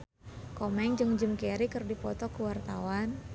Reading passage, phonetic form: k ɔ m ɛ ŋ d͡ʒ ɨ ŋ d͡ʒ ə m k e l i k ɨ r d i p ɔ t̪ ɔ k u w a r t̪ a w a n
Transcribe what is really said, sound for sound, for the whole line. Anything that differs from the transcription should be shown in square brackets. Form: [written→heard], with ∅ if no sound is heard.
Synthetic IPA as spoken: k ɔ m ɛ ŋ d͡ʒ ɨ ŋ d͡ʒ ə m k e [l→ɾ] i k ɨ r d i p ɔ t̪ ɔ k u w a r t̪ a w a n